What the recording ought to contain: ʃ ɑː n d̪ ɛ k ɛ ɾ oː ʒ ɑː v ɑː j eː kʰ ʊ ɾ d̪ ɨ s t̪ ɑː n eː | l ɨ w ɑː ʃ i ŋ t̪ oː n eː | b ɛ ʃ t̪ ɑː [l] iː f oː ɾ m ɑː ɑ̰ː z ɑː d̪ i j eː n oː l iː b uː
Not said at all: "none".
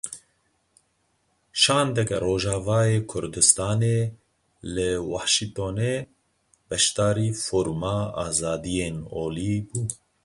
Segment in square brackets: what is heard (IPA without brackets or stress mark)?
ɾ